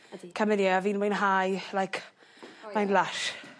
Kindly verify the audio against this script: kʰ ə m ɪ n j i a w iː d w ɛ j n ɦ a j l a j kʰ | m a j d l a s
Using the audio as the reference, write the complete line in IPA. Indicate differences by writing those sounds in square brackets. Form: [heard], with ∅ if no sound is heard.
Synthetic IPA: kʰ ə m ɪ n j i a [v] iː [n] w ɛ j n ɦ a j l a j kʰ | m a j [n] l a [ʃ]